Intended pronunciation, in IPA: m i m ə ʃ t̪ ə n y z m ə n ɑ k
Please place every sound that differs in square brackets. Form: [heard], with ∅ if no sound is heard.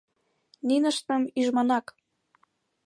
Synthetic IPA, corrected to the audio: [n] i [n] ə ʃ t̪ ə [m] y [ʒ] m [ɑ] n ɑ k